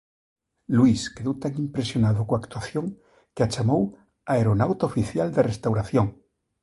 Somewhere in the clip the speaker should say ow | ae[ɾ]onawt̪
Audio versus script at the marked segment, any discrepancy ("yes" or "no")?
no